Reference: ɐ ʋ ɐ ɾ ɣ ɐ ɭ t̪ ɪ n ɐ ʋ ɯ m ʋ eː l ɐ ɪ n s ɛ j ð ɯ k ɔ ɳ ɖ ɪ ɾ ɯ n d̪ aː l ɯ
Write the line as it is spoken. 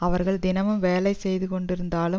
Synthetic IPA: ɐ ʋ ɐ ɾ ɣ ɐ ɭ d̪ ɪ n ɐ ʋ ɯ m ʋ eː l ɐ ɪ s ɛ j ð ɯ k ɔ ɳ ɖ ɪ ɾ ɯ n d̪ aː l ɯ

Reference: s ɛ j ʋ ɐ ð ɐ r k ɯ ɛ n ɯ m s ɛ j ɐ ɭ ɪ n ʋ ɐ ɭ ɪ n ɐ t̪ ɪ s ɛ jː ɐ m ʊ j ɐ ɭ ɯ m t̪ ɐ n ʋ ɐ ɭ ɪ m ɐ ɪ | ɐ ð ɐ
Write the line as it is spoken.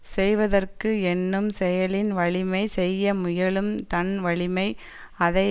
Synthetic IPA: s ɛ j ʋ ɐ ð ɐ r k ɯ ɛ nː ɯ m s ɛ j ɐ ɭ ɪ n ʋ ɐ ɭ ɪ m ɐ ɪ s ɛ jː ɐ m ʊ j ɐ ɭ ɯ m t̪ ɐ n ʋ ɐ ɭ ɪ m ɐ ɪ | ɐ ð ɐ

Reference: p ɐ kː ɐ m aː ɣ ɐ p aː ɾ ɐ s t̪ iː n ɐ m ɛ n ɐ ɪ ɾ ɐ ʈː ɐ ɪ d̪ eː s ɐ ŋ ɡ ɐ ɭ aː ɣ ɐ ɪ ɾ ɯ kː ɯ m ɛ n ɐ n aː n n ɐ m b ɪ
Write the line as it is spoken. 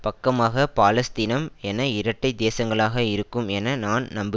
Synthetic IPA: p ɐ kː ɐ m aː ɣ ɐ p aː l ɐ s t̪ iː n ɐ m ɛ n ɐ ɪ ɾ ɐ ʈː ɐ ɪ d̪ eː s ɐ ŋ ɡ ɐ ɭ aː ɣ ɐ ɪ ɾ ɯ kː ɯ m ɛ n ɐ n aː n n ɐ m b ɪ

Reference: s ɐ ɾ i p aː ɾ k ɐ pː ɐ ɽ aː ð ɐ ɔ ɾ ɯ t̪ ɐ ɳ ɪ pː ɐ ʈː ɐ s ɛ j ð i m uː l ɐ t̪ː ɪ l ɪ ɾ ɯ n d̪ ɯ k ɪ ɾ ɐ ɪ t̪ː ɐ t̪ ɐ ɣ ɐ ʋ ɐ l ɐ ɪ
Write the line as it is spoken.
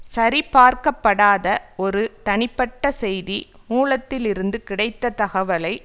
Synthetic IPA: s ɐ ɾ i p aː ɾ k ɐ pː ɐ ɽ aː ð ɐ ɔ ɾ ɯ t̪ ɐ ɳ ɪ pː ɐ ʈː ɐ s ɛ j ð i m uː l ɐ t̪ː ɪ l ɪ ɾ ɯ n d̪ ɯ k ɪ ɽ ɐ ɪ t̪ː ɐ t̪ ɐ ɣ ɐ ʋ ɐ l ɐ ɪ

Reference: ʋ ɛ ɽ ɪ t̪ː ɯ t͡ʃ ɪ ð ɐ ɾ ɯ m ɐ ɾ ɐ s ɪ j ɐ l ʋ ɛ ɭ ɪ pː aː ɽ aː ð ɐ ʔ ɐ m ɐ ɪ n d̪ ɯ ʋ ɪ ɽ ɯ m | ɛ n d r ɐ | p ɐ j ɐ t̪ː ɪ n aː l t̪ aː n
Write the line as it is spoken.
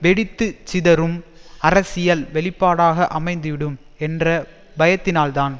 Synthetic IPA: ʋ ɛ ɽ ɪ t̪ː ɯ t͡ʃ ɪ ð ɐ ɾ ɯ m ɐ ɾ ɐ s ɪ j ɐ l ʋ ɛ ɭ ɪ pː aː ɽ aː ɣ ɐ ʔ ɐ m ɐ ɪ n d̪ ɯ ʋ ɪ ɽ ɯ m | ɛ n d r ɐ | b ɐ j ɐ t̪ː ɪ n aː l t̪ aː n

